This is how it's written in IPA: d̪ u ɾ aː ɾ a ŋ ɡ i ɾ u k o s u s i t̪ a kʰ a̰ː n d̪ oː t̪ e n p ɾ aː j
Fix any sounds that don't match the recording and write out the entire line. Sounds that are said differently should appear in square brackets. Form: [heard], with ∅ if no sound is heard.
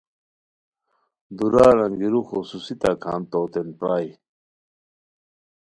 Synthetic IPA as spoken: d̪ u ɾ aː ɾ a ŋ ɡ i ɾ u [x] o s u s i t̪ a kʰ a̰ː n [t̪] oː t̪ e n p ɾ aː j